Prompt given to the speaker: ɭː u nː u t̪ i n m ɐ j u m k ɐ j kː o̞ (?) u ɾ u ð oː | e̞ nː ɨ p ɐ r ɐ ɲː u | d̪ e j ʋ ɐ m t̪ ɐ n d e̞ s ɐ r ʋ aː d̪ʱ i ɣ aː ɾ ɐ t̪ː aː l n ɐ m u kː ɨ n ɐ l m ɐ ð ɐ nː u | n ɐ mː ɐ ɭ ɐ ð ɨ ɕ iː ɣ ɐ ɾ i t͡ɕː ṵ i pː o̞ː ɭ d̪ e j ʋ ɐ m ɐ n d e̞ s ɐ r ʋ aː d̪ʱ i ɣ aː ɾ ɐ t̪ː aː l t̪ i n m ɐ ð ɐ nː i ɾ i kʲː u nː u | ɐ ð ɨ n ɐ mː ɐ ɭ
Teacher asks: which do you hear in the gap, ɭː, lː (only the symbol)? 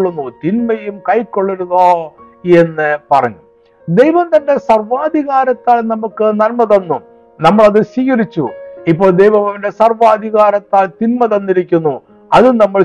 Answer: ɭː